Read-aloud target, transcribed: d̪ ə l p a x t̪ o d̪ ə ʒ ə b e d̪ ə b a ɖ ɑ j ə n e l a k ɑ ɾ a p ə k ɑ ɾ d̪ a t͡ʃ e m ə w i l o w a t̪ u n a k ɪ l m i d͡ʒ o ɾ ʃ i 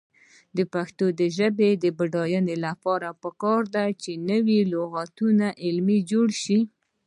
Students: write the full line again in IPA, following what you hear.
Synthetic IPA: d̪ ə p a x t̪ o d̪ ə ʒ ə b e d̪ ə b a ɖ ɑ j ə n e l a p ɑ ɾ a p ə k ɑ ɾ d̪ a t͡ʃ e n ə w i l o ɣ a t̪ u n a ʔ ɪ l m i d͡ʒ o ɽ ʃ i